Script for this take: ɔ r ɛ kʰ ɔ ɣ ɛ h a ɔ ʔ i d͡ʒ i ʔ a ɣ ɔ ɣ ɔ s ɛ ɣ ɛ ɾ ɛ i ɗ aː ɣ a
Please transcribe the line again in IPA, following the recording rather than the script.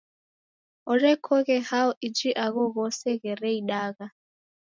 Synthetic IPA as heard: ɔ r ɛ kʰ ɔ ɣ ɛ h a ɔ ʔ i d͡ʒ i ʔ a ɣ ɔ ɣ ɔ s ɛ ɣ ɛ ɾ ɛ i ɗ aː ɣ a